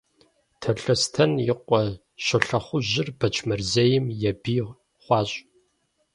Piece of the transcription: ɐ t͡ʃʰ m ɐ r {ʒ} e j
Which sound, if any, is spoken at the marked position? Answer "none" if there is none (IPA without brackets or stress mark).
z